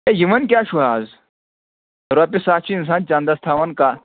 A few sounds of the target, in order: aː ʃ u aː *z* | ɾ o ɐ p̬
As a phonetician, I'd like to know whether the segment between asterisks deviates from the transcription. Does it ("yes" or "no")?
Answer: no